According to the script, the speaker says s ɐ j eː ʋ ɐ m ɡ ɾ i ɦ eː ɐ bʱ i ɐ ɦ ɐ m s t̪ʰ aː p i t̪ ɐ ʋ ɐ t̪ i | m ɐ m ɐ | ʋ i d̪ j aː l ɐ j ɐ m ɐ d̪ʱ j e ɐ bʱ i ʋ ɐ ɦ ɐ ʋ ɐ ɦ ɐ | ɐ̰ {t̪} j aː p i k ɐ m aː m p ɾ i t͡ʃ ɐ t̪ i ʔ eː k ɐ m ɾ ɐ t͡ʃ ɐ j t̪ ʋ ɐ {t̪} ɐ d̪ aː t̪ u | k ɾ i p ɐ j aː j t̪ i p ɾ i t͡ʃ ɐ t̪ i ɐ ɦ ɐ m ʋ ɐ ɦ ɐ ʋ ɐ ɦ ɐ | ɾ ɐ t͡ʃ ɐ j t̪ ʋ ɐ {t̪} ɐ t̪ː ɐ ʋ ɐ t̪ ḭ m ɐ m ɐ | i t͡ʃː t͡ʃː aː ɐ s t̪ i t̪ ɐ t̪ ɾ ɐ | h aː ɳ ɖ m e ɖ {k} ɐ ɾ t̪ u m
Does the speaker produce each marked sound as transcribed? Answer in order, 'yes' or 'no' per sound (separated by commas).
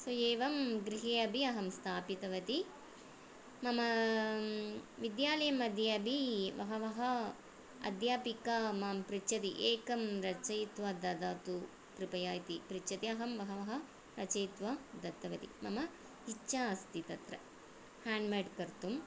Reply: no, no, no, yes